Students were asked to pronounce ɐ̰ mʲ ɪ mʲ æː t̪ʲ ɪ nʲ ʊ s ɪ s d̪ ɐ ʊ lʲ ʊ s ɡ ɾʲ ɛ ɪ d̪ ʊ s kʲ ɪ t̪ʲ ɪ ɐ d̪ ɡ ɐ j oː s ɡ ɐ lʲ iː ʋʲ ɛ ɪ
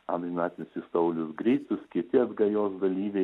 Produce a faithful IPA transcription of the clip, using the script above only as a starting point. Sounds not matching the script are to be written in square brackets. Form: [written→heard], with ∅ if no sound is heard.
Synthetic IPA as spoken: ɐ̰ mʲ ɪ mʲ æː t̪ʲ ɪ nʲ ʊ s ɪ s [d̪→t̪] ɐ ʊ lʲ ʊ s ɡ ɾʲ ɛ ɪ [d̪→t̪] ʊ s kʲ ɪ t̪ʲ ɪ ɐ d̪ ɡ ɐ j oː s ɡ ɐ lʲ iː ʋʲ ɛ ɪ